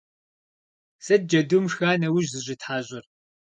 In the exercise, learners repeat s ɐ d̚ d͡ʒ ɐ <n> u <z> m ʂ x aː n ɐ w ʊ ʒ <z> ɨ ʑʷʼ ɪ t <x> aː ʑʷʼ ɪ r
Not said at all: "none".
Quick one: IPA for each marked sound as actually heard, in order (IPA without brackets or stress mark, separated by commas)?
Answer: d, none, z, ħ